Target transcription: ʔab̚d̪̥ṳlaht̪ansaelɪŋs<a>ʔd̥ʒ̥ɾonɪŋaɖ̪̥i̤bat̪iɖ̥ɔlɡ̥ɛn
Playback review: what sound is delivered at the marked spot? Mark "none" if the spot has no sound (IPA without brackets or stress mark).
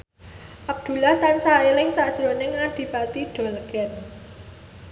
a